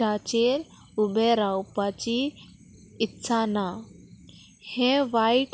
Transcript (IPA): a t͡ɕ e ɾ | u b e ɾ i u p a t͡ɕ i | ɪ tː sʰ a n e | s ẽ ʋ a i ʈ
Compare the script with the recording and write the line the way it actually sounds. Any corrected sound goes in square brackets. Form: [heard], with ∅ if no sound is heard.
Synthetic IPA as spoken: a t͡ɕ e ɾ | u b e ɾ [a] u p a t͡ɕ i | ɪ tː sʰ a n [a] | [h] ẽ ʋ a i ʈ